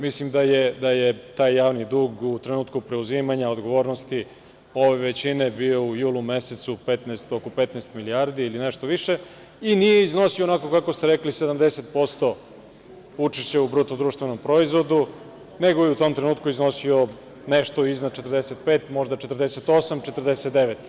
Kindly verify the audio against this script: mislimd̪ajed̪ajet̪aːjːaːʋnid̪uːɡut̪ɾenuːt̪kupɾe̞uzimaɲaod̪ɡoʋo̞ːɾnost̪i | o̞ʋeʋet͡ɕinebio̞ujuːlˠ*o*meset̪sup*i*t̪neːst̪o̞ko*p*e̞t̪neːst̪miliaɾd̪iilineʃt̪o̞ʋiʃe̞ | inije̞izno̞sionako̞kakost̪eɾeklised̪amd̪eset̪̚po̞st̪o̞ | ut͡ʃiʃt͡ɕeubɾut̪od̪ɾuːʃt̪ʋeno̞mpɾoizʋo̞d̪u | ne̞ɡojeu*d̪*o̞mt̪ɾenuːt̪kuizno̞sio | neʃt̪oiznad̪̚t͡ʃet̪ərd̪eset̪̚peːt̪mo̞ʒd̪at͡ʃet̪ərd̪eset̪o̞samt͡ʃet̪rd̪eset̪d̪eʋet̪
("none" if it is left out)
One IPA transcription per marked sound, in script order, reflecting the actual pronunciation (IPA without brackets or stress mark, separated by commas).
u, e, p, t̪